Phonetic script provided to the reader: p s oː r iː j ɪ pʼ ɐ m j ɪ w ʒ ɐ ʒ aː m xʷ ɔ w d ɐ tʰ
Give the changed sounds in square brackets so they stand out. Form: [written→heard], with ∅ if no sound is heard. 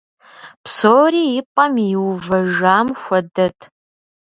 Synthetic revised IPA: p s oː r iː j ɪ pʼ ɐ m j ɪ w [ʒ→v] ɐ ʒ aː m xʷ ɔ [w→∅] d ɐ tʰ